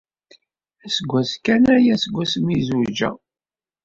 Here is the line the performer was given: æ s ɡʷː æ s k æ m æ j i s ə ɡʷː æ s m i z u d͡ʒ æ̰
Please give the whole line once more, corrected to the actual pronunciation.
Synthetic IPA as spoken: æ s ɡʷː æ s k æ n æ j æ s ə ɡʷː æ s m i z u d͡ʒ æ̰